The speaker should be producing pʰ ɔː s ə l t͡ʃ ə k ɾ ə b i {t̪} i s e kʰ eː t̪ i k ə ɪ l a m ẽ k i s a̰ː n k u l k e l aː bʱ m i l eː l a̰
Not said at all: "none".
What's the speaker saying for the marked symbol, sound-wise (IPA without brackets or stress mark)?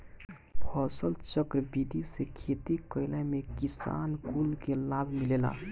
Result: d̪